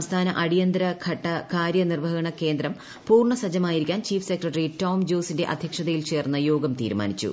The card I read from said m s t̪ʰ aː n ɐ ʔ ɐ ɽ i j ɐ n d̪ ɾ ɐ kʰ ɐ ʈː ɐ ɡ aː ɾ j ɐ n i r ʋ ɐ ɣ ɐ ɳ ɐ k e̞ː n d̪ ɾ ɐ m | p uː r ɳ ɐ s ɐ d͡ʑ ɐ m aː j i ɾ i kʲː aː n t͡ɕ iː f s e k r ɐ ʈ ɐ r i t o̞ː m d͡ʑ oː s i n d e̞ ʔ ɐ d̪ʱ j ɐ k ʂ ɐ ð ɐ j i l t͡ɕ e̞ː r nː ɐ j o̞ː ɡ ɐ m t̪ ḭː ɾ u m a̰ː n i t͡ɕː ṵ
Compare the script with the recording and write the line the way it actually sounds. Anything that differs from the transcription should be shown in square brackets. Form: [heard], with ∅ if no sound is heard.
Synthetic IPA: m s t̪ʰ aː n ɐ ʔ ɐ ɽ i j ɐ n d̪ ɾ ɐ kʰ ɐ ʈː ɐ [k] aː ɾ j ɐ n i r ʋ ɐ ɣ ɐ ɳ ɐ k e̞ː n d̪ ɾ ɐ m | p uː r ɳ ɐ s ɐ d͡ʑ ɐ m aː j i ɾ i kʲː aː n t͡ɕ iː f s e k r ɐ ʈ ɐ r i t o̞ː m d͡ʑ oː s i n d e̞ ʔ ɐ d̪ʱ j ɐ k ʂ ɐ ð ɐ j i l t͡ɕ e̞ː r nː ɐ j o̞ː ɡ ɐ m t̪ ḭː ɾ u m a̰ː n i t͡ɕː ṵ